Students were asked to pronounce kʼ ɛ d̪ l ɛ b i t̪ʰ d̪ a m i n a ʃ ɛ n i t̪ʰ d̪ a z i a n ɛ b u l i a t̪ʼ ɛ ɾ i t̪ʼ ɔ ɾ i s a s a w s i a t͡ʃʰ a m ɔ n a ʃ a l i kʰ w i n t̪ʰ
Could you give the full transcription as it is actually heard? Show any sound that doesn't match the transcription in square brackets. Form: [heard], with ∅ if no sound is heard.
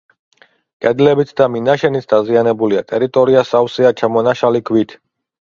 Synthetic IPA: kʼ ɛ d̪ l ɛ b i t̪ʰ d̪ a m i n a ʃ ɛ n i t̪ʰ d̪ a z i a n ɛ b u l i a t̪ʼ ɛ ɾ i t̪ʼ ɔ ɾ i [∅] a s a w s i a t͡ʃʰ a m ɔ n a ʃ a l i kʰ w i [∅] t̪ʰ